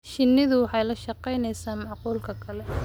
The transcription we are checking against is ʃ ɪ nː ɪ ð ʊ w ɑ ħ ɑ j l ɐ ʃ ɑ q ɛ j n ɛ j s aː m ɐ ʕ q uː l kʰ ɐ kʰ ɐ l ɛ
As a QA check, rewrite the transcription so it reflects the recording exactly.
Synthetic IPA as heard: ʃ ɪ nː ɪ ð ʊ w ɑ ħ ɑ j l ɐ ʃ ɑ q ɛ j n ɛ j s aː m ɑ ʕ q uː l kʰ ɐ kʰ ɐ l ɛ